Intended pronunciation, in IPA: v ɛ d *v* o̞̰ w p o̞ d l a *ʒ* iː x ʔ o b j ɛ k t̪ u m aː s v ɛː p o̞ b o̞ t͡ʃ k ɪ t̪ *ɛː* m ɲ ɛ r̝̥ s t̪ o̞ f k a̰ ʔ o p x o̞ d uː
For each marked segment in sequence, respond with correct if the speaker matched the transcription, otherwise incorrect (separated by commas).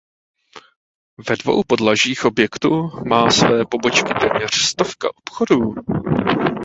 correct, correct, correct